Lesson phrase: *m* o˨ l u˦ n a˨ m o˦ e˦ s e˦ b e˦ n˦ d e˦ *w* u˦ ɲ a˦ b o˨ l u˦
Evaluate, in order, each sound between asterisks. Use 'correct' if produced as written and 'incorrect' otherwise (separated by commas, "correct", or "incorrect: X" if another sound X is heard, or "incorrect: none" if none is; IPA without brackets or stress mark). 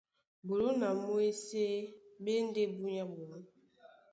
incorrect: b, incorrect: b